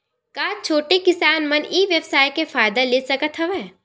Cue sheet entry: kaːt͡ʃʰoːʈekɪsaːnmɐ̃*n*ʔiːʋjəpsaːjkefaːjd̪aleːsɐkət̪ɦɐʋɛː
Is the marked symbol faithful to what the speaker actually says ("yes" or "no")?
yes